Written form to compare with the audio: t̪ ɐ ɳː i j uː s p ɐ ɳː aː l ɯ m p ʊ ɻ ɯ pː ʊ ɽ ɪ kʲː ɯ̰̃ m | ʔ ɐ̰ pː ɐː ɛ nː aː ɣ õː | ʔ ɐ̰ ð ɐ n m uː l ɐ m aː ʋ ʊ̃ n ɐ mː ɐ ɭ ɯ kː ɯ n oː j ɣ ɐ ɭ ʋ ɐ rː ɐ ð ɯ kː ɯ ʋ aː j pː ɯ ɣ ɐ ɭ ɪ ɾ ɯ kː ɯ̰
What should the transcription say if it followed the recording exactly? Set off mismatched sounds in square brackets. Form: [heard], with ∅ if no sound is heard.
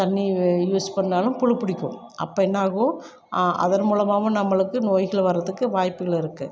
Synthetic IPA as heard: t̪ ɐ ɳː i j uː s p ɐ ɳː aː l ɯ m p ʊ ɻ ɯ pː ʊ ɽ ɪ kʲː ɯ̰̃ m | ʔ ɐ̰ pː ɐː ɛ nː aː ɣ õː | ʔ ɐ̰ ð ɐ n m uː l ɐ m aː ʋ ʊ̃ n ɐ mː ɐ ɭ ɯ kː ɯ n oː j ɣ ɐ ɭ ʋ ɐ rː ɐ ð ɯ kː ɯ ʋ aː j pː ɯ ɣ ɐ ɭ ɪ ɾ ɯ kː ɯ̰